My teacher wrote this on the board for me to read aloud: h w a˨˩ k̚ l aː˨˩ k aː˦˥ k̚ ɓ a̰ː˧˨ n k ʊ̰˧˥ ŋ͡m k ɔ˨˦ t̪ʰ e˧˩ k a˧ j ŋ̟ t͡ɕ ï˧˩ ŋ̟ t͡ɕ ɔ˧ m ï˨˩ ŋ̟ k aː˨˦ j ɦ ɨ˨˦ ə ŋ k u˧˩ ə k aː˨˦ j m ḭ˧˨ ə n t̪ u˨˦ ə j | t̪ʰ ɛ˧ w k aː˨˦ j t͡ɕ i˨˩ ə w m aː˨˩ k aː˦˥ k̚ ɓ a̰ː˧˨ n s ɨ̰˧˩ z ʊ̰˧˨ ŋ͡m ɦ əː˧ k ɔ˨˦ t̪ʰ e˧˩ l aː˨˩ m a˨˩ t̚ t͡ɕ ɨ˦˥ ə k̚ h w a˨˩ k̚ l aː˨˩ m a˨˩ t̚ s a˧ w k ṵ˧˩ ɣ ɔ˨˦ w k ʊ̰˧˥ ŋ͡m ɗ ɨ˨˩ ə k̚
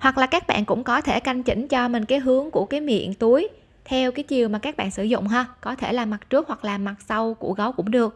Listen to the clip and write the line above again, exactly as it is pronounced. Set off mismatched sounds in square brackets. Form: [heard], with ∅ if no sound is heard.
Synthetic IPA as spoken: h w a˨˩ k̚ l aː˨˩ k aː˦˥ k̚ ɓ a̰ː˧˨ n k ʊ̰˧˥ ŋ͡m k ɔ˨˦ t̪ʰ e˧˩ k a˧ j ŋ̟ t͡ɕ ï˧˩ ŋ̟ t͡ɕ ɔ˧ m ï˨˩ ŋ̟ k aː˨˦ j ɦ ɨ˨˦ ə ŋ k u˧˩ ə k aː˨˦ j m ḭ˧˨ ə n t̪ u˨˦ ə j | t̪ʰ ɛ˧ w k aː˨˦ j t͡ɕ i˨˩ ə w m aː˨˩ k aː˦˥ k̚ ɓ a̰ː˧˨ n s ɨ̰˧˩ z ʊ̰˧˨ ŋ͡m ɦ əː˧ k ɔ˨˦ t̪ʰ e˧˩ l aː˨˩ m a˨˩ t̚ t͡ɕ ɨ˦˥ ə k̚ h w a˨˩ k̚ l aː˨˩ m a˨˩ t̚ s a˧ w k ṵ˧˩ ɣ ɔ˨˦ w k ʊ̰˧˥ ŋ͡m ɗ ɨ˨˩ ə k̚

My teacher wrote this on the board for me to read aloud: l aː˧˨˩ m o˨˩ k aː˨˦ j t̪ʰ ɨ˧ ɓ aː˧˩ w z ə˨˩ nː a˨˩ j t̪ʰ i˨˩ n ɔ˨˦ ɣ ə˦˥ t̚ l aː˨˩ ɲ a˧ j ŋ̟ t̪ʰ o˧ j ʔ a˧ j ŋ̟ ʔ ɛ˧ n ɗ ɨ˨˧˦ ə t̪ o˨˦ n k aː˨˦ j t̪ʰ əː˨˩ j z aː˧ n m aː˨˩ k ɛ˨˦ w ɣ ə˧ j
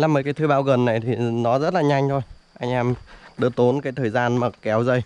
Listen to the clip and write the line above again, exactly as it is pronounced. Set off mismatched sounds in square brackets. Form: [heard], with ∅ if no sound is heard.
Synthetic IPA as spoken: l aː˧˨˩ m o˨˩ k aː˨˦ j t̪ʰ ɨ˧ ɓ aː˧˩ w [ɣ] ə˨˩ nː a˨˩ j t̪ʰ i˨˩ n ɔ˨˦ [z] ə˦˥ t̚ l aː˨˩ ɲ a˧ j ŋ̟ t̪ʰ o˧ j ʔ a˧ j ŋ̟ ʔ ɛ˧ [m] ɗ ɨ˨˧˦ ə t̪ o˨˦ n k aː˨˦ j t̪ʰ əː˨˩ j z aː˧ n m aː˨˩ k ɛ˨˦ w [z] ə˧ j

